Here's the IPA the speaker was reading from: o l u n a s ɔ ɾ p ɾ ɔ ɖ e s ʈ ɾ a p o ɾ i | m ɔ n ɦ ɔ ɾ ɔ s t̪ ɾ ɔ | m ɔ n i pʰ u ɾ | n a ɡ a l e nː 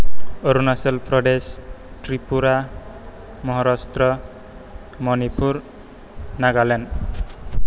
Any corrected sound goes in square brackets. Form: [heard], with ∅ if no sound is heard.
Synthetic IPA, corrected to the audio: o [ɾ] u n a s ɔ [l] p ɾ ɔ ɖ e s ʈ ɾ [i] p [u] ɾ [a] | m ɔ [∅] ɦ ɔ ɾ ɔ s t̪ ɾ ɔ | m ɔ n i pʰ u ɾ | n a ɡ a l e [n]